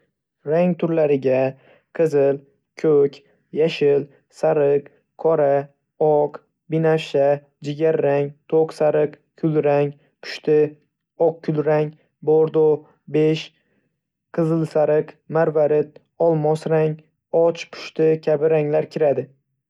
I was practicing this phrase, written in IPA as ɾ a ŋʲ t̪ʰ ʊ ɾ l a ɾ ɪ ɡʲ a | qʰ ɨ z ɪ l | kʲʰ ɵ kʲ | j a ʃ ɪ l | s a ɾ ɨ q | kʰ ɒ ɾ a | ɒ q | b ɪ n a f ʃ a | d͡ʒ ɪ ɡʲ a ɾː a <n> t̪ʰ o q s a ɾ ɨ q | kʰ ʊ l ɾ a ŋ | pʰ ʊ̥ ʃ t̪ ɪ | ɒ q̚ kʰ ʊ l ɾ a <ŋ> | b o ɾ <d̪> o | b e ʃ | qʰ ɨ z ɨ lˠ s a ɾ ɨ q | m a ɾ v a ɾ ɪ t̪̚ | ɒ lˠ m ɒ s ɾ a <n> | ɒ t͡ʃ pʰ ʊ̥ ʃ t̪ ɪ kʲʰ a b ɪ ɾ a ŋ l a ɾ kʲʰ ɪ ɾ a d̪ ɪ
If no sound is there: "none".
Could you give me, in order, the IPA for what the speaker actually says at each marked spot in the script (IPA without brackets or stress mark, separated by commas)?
ŋ, ŋ, d̪, ŋ